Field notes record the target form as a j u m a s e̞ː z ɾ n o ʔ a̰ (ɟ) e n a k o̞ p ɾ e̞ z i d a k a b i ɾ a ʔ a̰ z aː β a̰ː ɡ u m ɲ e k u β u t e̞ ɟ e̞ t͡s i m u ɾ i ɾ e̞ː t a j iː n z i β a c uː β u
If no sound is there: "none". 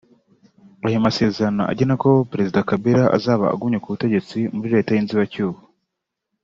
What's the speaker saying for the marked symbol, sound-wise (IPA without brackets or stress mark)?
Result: ɟ